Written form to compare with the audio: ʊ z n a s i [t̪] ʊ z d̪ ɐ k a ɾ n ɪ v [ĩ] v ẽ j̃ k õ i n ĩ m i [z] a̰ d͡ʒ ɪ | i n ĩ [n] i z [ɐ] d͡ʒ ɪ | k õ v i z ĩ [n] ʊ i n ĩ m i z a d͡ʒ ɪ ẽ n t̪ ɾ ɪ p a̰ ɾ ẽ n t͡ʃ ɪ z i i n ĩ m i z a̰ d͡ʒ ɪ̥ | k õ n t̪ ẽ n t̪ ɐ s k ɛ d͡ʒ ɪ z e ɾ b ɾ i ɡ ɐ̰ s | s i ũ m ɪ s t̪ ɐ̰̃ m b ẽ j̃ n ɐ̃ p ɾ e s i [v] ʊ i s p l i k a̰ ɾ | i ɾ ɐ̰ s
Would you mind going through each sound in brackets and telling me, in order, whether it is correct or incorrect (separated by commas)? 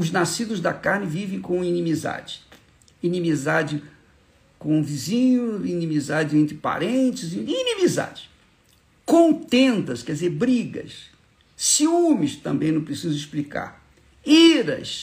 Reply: incorrect, incorrect, correct, incorrect, incorrect, incorrect, incorrect